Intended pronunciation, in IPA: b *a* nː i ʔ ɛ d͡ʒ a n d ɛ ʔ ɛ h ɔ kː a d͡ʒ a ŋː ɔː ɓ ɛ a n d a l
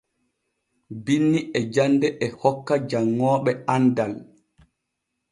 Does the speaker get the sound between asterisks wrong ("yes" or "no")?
yes